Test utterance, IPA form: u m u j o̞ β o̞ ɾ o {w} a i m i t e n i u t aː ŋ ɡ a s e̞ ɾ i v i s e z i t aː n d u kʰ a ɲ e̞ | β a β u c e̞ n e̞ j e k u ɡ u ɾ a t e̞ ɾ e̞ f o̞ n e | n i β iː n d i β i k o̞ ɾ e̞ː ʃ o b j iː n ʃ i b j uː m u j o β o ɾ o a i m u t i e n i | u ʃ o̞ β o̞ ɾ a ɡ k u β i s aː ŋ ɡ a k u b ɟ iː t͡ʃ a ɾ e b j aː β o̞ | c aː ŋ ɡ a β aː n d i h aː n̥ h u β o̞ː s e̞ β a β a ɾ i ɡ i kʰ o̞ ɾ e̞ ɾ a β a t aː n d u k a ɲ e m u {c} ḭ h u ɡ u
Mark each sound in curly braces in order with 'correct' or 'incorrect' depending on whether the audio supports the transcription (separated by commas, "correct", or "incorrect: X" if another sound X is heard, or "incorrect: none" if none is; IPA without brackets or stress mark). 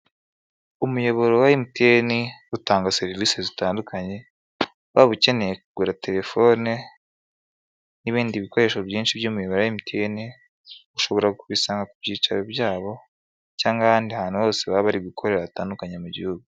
correct, incorrect: ɟ